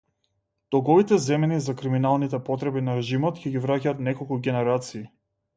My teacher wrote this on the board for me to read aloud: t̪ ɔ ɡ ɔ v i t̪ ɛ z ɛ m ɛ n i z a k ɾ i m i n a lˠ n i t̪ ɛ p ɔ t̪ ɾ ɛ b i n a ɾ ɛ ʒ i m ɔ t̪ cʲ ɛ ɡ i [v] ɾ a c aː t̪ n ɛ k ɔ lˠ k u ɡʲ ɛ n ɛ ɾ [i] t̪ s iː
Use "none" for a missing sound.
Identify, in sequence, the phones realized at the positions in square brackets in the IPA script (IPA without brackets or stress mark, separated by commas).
v, a